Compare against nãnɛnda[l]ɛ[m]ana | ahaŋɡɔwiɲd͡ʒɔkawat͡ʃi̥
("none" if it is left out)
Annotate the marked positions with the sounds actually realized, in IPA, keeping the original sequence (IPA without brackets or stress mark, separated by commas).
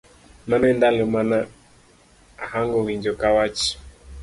l, m